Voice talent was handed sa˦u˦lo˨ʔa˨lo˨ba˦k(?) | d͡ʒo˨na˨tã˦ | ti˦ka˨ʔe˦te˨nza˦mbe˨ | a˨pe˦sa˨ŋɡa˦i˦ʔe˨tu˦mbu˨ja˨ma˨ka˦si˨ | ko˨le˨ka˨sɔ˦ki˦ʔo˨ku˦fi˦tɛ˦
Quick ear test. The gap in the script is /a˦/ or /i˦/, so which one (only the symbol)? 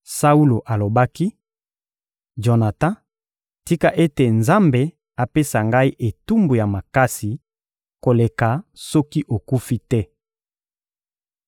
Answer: i˦